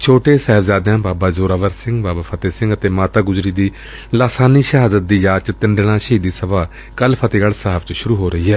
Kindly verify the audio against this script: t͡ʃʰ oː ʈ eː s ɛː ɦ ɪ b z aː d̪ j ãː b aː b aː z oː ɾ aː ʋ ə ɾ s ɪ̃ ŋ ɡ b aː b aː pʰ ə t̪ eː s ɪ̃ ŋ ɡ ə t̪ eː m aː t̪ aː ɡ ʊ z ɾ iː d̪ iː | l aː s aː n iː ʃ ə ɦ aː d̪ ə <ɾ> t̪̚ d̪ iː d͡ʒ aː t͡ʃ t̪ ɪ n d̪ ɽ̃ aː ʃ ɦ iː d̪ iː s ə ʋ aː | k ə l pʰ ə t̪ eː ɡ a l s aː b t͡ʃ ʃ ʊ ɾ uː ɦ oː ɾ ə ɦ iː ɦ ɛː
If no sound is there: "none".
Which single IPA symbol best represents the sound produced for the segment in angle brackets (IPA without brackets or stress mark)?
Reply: none